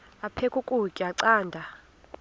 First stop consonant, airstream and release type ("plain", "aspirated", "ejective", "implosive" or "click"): aspirated